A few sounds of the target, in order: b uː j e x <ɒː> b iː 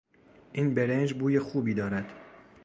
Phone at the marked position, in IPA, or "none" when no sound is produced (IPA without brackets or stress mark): uː